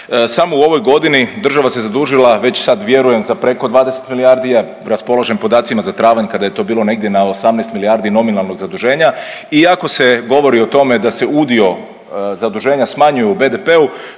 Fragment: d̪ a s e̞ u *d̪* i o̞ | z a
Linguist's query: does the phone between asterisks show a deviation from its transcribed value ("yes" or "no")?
no